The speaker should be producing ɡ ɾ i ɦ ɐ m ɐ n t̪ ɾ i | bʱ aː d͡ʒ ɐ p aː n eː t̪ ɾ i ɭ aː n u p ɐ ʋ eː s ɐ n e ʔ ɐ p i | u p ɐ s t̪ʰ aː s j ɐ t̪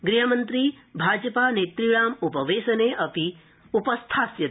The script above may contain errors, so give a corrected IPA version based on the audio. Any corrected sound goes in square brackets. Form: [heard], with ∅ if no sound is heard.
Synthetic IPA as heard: ɡ ɾ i ɦ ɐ m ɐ n t̪ ɾ i | bʱ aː d͡ʒ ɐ p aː n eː t̪ ɾ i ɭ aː [m] u p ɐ ʋ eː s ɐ n e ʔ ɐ p i | u p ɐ s t̪ʰ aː s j ɐ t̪